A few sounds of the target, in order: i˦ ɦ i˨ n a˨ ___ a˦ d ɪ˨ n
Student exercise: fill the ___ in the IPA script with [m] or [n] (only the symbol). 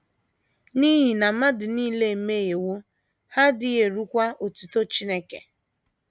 m